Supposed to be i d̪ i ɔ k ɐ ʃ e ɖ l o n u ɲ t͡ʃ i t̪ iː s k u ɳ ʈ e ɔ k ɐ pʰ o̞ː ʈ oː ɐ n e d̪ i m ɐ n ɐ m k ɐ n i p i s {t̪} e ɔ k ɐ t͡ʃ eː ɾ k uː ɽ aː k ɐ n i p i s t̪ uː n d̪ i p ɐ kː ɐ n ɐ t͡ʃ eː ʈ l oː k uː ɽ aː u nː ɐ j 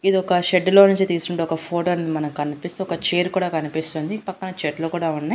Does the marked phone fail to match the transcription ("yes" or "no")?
no